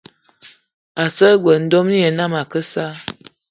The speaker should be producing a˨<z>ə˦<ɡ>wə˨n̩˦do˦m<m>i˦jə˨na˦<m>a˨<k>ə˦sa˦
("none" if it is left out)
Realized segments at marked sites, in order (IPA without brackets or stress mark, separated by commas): s, ɡ, n, m, k